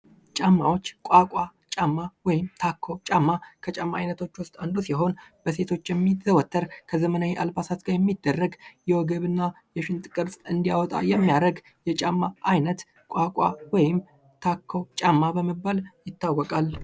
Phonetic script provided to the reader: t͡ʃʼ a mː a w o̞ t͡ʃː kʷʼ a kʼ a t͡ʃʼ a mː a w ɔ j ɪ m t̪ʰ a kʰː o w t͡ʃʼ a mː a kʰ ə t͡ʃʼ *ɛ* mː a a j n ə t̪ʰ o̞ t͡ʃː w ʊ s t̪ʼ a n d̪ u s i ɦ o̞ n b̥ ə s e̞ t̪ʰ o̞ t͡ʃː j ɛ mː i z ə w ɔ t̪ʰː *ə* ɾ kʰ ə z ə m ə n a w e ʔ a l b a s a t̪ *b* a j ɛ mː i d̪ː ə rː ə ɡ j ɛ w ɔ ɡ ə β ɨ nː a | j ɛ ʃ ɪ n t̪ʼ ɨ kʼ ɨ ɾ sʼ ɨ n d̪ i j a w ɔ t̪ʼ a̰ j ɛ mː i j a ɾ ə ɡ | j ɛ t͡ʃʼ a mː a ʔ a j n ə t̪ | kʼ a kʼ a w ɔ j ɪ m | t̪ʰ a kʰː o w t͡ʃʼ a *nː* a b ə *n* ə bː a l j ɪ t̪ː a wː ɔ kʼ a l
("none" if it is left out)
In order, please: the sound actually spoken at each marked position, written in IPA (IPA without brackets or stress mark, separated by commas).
a, ə, ɡ, mː, m